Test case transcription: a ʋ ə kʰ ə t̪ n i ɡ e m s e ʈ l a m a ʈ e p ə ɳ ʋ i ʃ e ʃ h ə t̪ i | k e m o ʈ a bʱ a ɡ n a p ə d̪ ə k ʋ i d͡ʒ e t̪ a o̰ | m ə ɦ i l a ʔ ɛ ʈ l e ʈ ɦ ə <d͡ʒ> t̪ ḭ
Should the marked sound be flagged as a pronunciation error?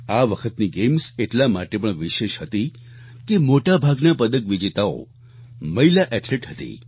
yes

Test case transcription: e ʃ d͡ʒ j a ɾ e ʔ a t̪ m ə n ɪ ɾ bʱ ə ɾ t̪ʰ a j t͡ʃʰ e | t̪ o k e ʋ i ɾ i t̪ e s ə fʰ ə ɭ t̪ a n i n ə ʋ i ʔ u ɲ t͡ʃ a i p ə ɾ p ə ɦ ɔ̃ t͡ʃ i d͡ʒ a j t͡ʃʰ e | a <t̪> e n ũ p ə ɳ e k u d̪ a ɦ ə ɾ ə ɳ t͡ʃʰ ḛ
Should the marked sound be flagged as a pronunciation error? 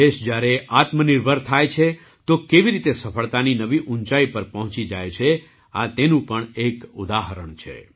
no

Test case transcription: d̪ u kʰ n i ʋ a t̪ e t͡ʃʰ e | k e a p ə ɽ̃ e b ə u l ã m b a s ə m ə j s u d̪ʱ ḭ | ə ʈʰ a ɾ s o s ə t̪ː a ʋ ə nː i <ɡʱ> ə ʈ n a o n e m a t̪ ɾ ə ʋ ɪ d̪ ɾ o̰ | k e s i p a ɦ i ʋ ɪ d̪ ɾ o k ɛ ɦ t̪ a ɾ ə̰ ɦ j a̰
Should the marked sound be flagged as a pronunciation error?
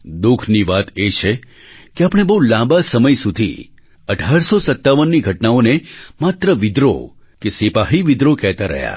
no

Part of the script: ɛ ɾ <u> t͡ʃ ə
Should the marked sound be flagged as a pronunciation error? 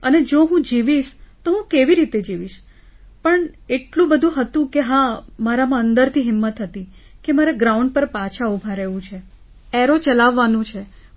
yes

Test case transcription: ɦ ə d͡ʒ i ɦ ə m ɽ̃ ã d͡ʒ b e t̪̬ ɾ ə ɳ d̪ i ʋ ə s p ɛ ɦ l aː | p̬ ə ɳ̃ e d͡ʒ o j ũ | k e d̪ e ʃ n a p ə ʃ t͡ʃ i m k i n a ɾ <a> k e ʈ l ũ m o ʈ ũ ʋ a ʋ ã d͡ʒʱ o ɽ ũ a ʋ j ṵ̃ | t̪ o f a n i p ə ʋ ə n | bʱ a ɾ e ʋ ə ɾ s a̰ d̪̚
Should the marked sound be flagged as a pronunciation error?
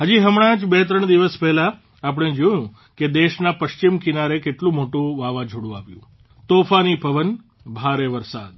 yes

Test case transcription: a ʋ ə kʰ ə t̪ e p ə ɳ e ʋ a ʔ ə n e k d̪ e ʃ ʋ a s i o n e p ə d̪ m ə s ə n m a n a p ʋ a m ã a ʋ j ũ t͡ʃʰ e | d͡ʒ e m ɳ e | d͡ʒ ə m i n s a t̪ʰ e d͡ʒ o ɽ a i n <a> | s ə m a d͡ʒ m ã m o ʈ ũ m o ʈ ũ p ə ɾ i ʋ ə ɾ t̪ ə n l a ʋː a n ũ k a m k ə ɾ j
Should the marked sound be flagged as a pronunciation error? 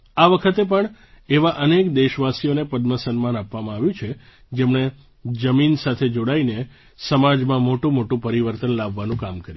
yes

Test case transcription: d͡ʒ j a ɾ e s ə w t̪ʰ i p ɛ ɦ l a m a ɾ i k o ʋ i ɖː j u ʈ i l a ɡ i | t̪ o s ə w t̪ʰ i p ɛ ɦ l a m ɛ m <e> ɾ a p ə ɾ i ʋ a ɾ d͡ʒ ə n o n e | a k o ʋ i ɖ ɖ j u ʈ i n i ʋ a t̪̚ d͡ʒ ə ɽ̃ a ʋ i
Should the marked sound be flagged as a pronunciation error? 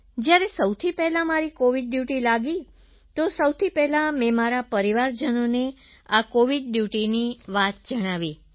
yes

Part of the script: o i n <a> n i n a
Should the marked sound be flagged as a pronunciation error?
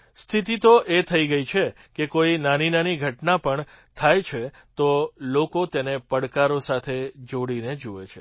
no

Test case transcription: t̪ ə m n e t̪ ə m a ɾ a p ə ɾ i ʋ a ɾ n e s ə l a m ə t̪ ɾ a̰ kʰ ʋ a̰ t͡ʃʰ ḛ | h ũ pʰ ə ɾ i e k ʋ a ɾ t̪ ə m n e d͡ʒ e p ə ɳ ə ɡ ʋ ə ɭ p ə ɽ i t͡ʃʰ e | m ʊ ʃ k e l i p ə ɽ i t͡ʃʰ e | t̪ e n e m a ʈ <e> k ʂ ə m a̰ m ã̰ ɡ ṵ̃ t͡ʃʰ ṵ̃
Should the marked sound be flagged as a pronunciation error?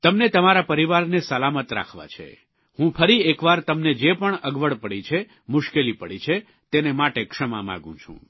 no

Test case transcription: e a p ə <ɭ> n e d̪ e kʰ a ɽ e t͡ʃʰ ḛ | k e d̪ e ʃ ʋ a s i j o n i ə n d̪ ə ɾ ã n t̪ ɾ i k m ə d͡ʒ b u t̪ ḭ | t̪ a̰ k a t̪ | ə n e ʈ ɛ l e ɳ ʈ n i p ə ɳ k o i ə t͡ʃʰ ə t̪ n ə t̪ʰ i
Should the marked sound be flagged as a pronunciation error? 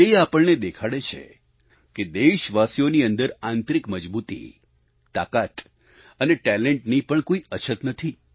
no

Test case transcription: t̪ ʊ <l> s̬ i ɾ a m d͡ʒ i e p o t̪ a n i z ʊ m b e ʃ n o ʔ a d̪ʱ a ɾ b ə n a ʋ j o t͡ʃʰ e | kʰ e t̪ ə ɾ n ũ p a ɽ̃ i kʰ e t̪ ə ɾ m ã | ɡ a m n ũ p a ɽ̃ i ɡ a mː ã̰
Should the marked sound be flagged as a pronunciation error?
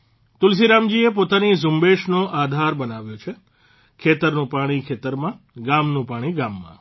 no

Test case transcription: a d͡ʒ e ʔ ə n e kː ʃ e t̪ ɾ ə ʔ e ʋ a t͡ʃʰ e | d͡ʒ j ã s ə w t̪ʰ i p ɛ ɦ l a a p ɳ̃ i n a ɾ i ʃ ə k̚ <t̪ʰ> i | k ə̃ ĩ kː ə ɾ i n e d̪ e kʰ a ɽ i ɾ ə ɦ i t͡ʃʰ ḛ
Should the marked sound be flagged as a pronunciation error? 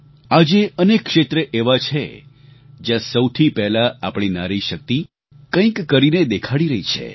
yes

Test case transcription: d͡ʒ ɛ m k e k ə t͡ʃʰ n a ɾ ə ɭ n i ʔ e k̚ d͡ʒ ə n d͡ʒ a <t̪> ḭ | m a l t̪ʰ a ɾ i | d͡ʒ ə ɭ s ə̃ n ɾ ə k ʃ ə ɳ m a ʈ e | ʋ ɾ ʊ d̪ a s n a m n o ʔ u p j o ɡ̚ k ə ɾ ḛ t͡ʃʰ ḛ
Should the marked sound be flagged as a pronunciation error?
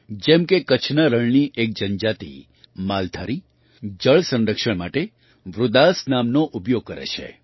no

